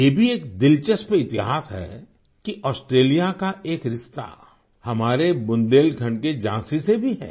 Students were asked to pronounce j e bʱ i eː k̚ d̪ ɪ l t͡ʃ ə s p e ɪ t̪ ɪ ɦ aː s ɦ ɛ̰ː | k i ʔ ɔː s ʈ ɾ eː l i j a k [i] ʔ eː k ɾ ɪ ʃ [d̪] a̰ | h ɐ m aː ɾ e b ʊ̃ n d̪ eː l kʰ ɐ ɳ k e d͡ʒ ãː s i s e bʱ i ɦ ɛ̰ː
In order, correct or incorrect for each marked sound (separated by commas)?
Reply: incorrect, incorrect